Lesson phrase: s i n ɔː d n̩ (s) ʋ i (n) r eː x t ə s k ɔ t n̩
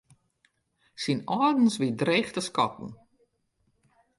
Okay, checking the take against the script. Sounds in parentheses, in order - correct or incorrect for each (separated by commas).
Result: correct, incorrect